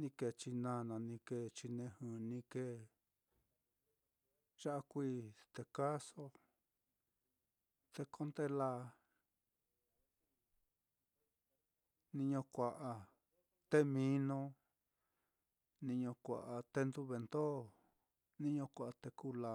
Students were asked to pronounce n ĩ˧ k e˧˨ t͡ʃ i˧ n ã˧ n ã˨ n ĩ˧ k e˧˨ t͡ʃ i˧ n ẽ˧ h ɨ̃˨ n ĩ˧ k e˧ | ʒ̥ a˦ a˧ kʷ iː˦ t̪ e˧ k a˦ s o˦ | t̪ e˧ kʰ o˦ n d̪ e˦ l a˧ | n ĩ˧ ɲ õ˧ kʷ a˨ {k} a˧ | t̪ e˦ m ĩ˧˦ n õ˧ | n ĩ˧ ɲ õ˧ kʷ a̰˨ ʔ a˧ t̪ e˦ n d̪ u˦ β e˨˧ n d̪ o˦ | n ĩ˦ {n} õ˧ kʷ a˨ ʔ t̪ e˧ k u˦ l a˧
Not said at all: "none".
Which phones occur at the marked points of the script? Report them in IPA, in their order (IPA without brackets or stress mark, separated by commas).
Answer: ʔ, ɲ